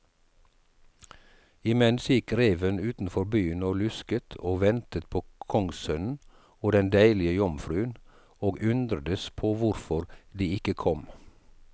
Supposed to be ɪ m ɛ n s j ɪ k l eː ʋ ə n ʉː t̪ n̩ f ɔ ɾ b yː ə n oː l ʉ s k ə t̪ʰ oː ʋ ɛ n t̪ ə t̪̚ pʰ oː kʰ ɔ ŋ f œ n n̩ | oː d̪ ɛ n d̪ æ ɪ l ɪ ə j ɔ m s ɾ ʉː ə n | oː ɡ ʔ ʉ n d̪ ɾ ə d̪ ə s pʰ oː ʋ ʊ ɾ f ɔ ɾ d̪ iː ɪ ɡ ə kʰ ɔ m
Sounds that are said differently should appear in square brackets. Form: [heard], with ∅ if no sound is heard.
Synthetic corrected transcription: ɪ m ɛ n s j ɪ k [ɾ] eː ʋ ə n ʉː t̪ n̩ f ɔ ɾ b yː ə n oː l ʉ s k ə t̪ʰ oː ʋ ɛ n t̪ ə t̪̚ pʰ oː kʰ ɔ ŋ [s] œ n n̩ | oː d̪ ɛ n d̪ æ ɪ l ɪ ə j ɔ m [f] ɾ ʉː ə n | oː ɡ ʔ ʉ n d̪ ɾ ə d̪ ə s pʰ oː ʋ ʊ ɾ f ɔ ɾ d̪ iː ɪ [k] ə kʰ ɔ m